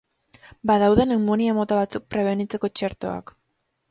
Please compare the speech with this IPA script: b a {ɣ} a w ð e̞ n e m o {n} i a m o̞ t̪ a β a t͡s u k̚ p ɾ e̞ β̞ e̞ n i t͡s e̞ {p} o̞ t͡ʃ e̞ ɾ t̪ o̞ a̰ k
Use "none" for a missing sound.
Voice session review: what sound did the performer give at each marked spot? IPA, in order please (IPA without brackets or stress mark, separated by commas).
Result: ð, n, k